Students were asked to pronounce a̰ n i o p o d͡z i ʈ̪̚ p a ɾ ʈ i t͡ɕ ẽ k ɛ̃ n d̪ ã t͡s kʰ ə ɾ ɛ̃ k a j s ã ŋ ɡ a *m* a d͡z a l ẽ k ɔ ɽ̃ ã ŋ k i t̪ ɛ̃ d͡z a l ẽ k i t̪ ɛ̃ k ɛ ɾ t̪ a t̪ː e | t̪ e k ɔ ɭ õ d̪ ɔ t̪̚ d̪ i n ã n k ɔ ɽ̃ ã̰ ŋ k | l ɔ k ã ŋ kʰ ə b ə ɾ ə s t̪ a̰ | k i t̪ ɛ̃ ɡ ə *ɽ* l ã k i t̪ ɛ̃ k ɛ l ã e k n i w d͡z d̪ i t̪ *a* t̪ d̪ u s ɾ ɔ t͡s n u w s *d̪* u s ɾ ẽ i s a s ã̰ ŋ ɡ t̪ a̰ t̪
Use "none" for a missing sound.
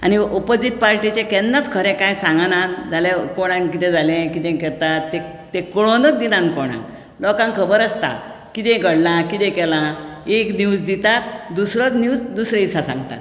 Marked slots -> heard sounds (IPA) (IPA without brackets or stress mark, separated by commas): n, ɽ, a, d̪